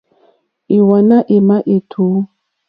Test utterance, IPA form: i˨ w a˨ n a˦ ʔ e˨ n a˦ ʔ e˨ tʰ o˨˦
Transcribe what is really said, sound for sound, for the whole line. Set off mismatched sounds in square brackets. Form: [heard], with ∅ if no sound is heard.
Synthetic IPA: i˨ w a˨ n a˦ ʔ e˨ [m] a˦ ʔ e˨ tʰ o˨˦